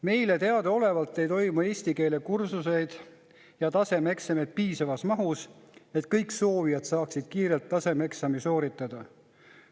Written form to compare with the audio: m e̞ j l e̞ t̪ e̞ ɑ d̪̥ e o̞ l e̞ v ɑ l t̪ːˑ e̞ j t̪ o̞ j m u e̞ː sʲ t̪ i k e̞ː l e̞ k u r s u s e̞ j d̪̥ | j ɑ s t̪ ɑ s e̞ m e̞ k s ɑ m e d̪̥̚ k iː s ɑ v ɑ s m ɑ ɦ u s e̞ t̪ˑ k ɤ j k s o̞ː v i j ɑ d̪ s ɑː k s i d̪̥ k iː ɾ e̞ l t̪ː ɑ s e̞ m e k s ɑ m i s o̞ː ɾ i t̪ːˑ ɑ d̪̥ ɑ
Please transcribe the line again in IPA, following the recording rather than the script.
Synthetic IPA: m e̞ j l e̞ t̪ e̞ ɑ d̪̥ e o̞ l e̞ v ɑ l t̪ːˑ e̞ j t̪ o̞ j m u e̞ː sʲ t̪ i k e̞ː l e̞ k u r s u s e̞ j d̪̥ | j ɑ t̪ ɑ s e̞ m e̞ k s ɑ m e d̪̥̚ p iː s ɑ v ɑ s m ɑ ɦ u s e̞ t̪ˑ k ɤ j k s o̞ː v i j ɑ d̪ s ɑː k s i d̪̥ k iː ɾ e̞ l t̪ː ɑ s e̞ m e k s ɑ m i s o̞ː ɾ i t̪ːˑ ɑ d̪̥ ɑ